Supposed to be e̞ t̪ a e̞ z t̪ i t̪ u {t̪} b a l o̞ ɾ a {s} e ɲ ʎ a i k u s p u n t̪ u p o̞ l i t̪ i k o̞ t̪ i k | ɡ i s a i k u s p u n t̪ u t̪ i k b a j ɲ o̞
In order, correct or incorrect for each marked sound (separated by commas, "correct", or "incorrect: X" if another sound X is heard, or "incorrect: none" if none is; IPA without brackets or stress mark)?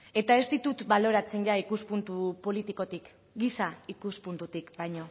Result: correct, incorrect: t͡s